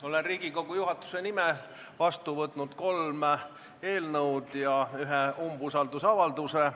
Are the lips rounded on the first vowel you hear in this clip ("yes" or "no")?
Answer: yes